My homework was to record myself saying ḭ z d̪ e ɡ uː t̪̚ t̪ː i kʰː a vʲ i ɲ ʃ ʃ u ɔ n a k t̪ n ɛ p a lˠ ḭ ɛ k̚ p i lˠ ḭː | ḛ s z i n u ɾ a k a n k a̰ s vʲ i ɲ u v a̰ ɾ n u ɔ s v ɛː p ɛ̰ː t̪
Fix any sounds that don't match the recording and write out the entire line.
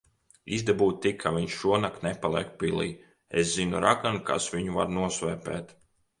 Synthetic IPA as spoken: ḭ z d̪ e b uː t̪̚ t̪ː i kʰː a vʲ i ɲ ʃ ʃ u ɔ n a k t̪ n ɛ p a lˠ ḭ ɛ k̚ p i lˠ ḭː | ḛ s z i n u ɾ a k a n k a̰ s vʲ i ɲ u v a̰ ɾ n u ɔ s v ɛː p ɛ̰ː t̪